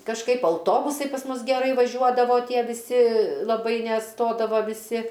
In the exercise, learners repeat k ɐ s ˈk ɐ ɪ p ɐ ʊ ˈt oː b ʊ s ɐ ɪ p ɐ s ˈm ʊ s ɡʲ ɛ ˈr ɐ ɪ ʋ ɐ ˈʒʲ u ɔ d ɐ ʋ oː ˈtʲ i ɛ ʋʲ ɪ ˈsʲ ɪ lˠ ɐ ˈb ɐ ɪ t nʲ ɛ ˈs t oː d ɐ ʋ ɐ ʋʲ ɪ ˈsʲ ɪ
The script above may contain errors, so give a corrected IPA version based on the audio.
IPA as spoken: k ɐ ʃ ˈk ɐ ɪ p ɐ ʊ ˈt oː b ʊ s ɐ ɪ p ɐ s ˈm ʊ s ɡʲ ɛ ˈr ɐ ɪ ʋ ɐ ˈʒʲ u ɔ d ɐ ʋ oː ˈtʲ i ɛ ʋʲ ɪ ˈsʲ ɪ lˠ ɐ ˈb ɐ ɪ nʲ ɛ ˈs t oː d ɐ ʋ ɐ ʋʲ ɪ ˈsʲ ɪ